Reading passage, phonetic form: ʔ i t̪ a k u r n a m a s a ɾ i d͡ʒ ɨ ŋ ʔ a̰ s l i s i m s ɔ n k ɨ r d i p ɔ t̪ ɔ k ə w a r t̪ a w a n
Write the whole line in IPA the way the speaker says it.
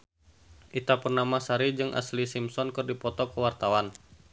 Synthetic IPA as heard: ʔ i t̪ a p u r n a m a s a ɾ i d͡ʒ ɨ ŋ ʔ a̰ s l i s i m s ɔ n k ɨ r d i p ɔ t̪ ɔ k ə w a r t̪ a w a n